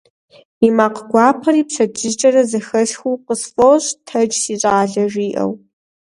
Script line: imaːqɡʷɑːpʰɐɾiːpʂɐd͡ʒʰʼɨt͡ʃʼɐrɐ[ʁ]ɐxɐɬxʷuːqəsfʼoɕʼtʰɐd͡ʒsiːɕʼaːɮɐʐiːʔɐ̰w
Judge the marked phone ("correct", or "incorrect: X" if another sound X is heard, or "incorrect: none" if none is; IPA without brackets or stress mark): incorrect: z